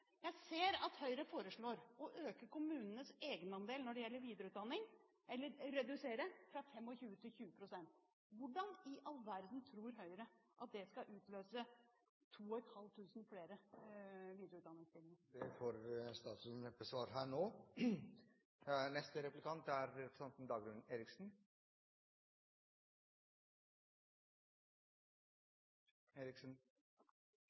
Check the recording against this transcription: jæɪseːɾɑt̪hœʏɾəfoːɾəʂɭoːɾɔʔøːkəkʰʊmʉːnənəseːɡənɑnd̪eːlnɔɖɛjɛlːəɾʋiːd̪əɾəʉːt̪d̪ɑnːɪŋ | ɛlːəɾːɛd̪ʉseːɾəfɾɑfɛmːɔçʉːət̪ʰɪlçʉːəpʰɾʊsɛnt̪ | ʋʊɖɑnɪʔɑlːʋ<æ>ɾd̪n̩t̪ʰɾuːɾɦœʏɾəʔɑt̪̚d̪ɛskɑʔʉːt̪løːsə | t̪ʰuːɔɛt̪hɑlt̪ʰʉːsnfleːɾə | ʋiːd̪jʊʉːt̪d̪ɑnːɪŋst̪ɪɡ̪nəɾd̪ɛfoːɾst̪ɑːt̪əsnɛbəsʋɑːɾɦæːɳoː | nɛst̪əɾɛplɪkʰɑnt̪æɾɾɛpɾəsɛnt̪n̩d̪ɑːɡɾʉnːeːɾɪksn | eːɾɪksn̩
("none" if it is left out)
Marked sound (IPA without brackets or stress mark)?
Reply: æ